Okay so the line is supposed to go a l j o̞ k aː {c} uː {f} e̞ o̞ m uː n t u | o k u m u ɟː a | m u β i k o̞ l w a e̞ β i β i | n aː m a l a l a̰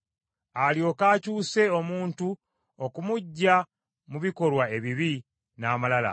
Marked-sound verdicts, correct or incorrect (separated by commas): correct, incorrect